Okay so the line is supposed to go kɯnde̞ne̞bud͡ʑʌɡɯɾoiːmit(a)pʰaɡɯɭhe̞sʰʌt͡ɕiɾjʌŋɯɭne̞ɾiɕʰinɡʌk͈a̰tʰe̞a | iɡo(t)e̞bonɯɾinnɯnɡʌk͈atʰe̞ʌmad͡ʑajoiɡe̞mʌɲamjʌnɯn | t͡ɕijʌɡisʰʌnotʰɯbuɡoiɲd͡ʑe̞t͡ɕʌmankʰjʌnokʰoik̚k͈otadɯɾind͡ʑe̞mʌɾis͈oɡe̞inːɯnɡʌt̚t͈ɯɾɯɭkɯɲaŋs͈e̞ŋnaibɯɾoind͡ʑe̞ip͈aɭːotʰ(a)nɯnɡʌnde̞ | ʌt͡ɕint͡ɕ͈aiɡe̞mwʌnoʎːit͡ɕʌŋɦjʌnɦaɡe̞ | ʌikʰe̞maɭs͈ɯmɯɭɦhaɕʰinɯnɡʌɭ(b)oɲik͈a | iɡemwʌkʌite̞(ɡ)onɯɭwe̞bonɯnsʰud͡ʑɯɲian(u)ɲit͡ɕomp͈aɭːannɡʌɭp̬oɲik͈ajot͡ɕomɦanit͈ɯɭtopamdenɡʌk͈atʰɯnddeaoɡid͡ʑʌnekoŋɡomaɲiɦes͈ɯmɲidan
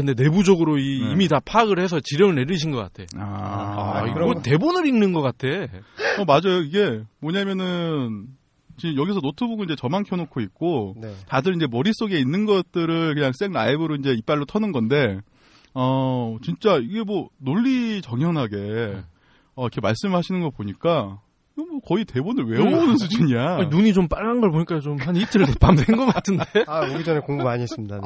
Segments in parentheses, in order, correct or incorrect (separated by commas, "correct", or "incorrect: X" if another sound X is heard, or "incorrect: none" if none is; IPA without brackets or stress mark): correct, correct, incorrect: ʌ, incorrect: p, incorrect: b, correct